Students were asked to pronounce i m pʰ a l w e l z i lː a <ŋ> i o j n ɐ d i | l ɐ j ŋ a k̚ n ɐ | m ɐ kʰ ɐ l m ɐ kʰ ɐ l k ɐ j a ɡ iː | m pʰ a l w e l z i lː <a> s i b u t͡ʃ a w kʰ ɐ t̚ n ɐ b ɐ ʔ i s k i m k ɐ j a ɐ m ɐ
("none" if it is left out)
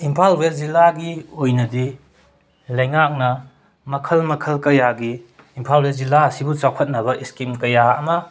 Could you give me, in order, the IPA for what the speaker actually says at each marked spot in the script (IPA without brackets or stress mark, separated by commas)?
ɡ, a